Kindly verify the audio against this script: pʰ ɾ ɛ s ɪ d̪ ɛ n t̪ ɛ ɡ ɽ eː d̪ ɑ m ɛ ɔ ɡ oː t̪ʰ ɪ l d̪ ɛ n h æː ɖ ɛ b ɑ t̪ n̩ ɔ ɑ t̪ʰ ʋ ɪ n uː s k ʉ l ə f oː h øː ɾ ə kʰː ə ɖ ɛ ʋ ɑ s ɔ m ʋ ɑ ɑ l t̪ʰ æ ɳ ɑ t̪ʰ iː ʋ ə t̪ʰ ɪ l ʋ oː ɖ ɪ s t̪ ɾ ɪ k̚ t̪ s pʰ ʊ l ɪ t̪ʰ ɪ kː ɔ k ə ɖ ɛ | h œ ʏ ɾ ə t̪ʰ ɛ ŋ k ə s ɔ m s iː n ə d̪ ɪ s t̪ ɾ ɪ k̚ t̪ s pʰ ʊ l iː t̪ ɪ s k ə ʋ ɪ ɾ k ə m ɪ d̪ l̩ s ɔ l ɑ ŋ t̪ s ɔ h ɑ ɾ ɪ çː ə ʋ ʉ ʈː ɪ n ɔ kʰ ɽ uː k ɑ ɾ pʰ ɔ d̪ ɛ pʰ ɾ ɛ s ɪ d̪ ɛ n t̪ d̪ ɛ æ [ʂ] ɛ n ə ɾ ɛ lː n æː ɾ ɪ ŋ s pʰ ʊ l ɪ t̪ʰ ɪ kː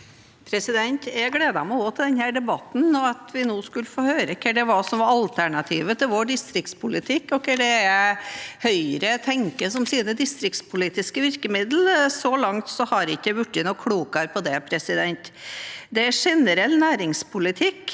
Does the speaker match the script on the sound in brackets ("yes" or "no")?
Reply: yes